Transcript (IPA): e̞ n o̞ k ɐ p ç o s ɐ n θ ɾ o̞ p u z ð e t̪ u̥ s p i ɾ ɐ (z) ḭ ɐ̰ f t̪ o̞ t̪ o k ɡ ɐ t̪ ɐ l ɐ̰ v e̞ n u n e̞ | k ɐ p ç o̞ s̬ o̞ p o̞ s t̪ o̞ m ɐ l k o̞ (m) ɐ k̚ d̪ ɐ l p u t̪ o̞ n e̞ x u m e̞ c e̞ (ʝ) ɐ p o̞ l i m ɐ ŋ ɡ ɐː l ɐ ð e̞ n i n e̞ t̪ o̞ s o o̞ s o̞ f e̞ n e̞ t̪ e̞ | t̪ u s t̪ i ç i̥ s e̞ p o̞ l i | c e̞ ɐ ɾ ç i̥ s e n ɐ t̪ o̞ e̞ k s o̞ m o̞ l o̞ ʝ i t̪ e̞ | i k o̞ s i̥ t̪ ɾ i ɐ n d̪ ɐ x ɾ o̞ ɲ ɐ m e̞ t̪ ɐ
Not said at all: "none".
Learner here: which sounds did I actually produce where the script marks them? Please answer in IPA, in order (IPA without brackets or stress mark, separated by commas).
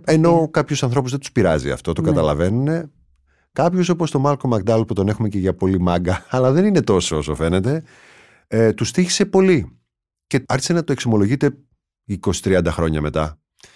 z, m, ʝ